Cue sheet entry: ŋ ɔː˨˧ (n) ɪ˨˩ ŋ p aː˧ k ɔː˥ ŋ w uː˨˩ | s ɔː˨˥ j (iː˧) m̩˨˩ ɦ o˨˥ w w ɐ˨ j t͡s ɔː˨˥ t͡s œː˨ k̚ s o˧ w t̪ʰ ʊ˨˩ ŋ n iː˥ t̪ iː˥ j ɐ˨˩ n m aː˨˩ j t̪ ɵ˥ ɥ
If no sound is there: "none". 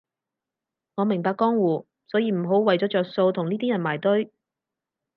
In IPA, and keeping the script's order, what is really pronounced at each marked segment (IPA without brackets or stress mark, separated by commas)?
m, iː˧